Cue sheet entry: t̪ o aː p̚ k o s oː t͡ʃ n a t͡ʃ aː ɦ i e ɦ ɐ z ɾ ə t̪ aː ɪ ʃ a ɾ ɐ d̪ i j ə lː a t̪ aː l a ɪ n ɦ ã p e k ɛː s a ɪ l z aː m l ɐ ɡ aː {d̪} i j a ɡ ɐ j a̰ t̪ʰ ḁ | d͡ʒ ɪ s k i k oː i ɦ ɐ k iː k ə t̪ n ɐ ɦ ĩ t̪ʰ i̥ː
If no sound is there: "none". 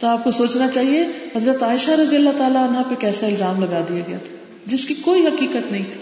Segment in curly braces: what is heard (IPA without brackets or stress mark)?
d̪